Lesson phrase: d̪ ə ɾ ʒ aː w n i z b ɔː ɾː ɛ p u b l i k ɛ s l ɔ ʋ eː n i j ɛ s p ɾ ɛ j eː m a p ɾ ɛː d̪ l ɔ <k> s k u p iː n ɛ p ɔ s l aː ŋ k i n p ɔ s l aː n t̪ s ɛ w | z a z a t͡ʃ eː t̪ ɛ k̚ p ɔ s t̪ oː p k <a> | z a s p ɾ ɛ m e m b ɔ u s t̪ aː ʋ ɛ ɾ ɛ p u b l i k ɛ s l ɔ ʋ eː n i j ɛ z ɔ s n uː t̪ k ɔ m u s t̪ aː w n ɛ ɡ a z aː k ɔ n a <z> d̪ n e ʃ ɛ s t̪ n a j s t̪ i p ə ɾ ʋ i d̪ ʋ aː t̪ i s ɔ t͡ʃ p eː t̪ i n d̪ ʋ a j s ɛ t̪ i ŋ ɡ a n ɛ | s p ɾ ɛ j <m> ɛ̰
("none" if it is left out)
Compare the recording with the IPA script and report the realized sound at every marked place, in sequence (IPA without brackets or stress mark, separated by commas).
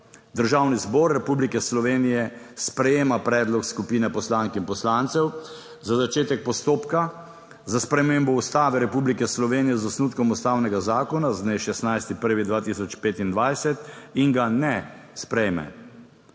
k, a, z, m